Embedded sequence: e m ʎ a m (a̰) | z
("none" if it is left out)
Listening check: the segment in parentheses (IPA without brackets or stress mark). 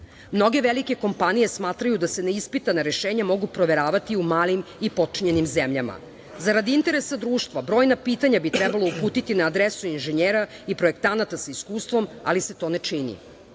a̰